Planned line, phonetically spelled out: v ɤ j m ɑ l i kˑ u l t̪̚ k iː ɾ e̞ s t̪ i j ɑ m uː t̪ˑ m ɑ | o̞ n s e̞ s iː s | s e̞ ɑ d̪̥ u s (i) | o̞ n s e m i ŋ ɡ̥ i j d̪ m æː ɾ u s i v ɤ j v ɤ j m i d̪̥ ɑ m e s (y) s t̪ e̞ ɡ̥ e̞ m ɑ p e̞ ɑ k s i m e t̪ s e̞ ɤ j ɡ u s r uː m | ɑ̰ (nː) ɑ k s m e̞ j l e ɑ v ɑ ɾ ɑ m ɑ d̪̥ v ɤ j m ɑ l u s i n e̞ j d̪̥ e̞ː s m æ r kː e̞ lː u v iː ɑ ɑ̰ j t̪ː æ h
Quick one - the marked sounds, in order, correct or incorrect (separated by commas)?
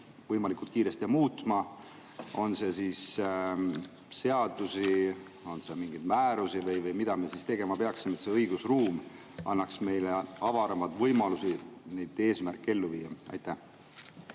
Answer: correct, incorrect, correct